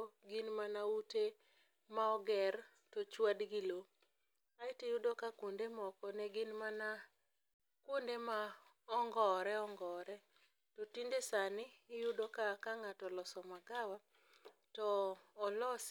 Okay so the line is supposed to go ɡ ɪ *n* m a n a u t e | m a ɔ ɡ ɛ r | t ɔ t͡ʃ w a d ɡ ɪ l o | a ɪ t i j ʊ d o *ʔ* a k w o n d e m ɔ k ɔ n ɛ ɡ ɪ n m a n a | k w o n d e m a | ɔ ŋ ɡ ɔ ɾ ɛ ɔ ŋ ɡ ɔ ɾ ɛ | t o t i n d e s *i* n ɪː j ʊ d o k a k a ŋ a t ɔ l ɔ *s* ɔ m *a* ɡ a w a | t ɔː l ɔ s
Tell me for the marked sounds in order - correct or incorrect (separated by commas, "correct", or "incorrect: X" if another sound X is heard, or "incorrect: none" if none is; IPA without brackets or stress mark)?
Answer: correct, incorrect: k, incorrect: a, correct, correct